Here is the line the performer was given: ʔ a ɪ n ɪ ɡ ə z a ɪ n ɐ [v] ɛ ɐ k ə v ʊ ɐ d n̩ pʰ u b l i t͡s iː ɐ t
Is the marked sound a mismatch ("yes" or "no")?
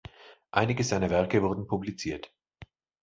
no